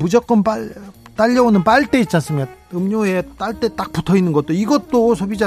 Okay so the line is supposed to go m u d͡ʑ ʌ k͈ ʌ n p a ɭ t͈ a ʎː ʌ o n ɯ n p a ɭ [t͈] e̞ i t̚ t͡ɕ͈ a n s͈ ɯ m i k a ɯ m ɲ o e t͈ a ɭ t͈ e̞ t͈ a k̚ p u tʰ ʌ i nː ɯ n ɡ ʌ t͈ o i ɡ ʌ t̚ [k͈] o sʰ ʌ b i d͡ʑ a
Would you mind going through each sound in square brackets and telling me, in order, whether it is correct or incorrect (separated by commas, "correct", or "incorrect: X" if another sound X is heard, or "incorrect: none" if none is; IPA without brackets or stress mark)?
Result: correct, incorrect: t͈